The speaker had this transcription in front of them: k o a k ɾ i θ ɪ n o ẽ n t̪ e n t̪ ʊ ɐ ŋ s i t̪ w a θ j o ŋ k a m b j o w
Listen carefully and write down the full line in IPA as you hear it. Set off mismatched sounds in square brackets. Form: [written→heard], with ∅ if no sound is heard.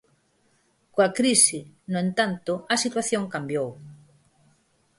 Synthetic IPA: k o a k ɾ i [θ→s] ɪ n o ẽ n t̪ [e→a] n t̪ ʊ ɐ [ŋ→∅] s i t̪ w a θ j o ŋ k a m b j o w